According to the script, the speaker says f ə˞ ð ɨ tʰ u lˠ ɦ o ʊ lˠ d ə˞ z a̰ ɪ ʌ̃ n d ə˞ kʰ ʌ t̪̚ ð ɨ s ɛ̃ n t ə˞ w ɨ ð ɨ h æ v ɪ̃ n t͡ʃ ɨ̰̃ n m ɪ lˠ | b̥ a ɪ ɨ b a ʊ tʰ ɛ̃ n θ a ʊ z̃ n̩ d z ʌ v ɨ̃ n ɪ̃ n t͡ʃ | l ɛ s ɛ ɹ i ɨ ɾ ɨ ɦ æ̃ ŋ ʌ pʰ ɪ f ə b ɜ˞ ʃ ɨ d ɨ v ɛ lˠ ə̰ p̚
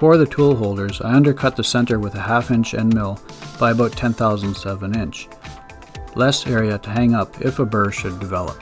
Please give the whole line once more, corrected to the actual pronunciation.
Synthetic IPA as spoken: f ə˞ ð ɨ tʰ u lˠ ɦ o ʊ lˠ d ə˞ z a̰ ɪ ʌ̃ n d ə˞ kʰ ʌ t̪̚ ð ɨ s ɛ̃ n t ə˞ w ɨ ð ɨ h æ f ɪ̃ n t͡ʃ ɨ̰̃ n m ɪ lˠ | b̥ a ɪ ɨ b a ʊ tʰ ɛ̃ n θ a ʊ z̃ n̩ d z ʌ v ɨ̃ n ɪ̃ n t͡ʃ | l ɛ s ɛ ɹ i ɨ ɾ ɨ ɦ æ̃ ŋ ʌ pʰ ɪ f ə b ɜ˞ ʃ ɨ d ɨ v ɛ lˠ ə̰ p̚